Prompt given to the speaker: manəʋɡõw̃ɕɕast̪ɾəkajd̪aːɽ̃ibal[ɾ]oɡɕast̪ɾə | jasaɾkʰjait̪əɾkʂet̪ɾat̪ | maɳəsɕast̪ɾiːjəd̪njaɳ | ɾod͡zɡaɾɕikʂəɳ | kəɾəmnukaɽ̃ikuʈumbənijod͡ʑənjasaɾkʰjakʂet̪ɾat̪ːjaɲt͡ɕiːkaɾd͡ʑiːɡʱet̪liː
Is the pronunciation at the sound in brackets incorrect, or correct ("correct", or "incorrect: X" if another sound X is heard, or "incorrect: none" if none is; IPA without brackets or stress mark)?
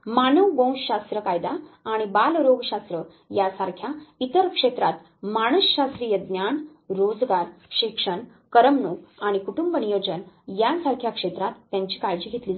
correct